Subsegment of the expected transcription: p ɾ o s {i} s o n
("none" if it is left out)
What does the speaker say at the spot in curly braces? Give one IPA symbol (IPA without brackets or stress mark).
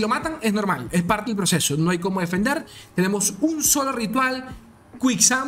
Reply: e